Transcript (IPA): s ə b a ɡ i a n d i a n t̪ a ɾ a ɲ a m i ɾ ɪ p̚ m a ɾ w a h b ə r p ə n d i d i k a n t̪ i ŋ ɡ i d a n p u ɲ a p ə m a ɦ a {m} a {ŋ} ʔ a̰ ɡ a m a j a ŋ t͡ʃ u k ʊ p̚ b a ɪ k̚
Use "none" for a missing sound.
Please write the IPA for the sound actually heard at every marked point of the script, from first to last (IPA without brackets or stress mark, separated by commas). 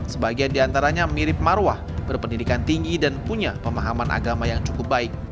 m, n